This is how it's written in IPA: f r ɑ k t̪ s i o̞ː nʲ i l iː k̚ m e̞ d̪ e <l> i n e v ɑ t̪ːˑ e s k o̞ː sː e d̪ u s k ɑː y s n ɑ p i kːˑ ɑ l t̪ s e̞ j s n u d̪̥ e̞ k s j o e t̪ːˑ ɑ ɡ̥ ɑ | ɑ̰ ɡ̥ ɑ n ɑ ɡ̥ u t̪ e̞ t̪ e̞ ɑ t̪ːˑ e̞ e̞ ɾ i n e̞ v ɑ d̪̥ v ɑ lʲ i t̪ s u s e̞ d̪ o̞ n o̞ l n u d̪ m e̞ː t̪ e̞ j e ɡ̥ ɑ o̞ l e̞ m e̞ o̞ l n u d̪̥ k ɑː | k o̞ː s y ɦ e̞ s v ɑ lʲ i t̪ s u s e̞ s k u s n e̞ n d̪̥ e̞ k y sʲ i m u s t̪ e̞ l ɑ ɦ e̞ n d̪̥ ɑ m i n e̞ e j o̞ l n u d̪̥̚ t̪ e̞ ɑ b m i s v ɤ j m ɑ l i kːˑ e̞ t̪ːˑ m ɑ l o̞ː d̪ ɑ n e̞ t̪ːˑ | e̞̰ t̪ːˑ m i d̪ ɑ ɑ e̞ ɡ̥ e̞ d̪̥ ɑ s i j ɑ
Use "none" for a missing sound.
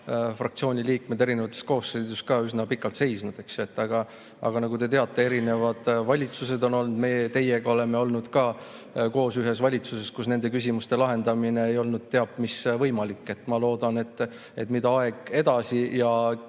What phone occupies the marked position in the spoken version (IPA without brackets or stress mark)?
ɾ